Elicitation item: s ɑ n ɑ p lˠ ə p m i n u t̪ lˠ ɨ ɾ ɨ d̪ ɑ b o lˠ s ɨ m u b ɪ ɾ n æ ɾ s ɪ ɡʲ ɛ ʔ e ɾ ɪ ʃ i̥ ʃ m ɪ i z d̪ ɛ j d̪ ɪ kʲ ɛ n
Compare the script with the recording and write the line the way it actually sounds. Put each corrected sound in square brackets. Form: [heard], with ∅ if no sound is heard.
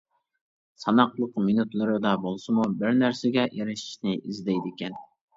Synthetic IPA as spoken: s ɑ n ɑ [q] lˠ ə [q] m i n u t̪ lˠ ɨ ɾ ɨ d̪ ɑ b o lˠ s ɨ m u b ɪ ɾ n æ ɾ s ɪ ɡʲ ɛ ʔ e ɾ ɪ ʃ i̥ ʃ [n] ɪ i z d̪ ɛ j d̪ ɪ kʲ ɛ n